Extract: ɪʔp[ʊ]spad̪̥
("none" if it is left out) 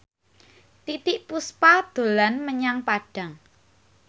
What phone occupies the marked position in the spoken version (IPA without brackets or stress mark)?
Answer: u